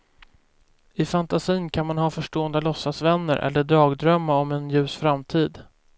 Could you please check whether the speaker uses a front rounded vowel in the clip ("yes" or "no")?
yes